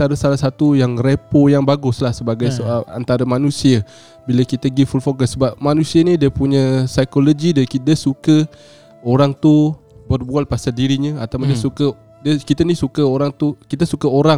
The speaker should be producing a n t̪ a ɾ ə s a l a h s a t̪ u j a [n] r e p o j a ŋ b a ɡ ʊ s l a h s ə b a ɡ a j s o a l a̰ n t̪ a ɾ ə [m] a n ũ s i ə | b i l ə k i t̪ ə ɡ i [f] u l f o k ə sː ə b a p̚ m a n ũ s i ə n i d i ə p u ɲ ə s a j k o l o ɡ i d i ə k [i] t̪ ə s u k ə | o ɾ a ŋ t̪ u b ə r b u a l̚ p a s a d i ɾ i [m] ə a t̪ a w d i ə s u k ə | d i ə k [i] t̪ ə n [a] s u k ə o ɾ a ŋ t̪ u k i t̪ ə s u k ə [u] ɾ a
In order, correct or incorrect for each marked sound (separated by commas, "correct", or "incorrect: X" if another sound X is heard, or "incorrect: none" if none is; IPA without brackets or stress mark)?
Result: incorrect: ŋ, correct, correct, correct, incorrect: ɲ, correct, incorrect: i, incorrect: o